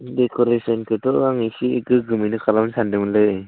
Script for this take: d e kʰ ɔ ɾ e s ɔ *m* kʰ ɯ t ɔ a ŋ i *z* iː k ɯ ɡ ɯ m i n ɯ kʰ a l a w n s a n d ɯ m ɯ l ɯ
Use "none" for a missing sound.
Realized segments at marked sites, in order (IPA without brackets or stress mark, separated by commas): n, s